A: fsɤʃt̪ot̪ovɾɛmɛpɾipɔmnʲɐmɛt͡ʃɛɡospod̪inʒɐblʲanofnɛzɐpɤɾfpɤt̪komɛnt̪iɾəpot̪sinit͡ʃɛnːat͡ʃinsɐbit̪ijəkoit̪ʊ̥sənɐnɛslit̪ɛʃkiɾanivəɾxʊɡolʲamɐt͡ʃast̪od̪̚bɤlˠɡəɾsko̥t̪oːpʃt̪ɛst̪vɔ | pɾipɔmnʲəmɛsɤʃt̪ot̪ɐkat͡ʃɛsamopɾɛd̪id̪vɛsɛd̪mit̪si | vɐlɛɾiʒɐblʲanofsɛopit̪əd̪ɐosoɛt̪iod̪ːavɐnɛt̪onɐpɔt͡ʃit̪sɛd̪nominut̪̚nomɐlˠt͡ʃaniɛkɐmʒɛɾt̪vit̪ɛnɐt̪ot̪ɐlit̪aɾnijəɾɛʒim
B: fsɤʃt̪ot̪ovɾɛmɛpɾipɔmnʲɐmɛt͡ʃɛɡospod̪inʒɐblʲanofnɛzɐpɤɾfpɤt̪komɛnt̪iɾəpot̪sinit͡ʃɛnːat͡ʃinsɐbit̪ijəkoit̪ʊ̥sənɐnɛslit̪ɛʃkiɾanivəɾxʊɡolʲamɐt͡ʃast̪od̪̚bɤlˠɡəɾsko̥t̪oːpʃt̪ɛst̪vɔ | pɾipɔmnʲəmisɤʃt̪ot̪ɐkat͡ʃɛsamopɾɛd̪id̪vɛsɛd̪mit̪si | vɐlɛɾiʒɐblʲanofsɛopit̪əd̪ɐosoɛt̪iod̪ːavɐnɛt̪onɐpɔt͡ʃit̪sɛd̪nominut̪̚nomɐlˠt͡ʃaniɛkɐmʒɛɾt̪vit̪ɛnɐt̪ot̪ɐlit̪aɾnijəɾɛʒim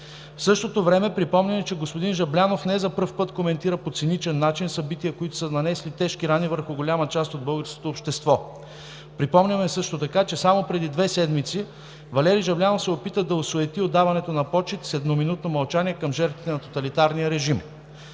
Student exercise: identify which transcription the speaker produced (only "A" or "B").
A